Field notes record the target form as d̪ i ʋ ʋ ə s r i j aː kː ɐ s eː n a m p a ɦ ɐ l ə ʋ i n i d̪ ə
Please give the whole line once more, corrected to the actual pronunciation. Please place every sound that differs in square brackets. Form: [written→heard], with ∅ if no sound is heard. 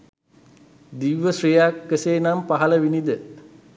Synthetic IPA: d̪ i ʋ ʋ ə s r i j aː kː [ɐ→ə] s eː n a m p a ɦ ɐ l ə ʋ i n i d̪ ə